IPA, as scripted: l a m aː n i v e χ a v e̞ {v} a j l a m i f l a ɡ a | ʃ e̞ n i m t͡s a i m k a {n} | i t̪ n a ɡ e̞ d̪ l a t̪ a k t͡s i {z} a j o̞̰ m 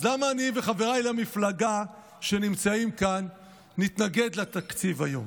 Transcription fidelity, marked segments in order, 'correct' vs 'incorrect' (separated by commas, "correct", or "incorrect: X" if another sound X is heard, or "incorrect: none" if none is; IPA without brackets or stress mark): incorrect: ʁ, incorrect: nː, incorrect: v